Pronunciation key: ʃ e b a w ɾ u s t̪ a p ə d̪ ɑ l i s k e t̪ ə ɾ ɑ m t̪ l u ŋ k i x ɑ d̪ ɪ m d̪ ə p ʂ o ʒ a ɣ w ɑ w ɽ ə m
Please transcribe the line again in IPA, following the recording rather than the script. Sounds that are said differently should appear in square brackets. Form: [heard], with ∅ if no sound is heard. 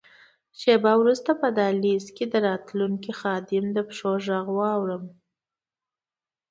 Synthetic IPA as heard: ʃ e b a w ɾ u s t̪ a p ə d̪ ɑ l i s k e [d̪] ə ɾ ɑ [∅] t̪ l u ŋ k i x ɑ d̪ ɪ m d̪ ə p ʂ o ʒ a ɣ w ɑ w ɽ ə m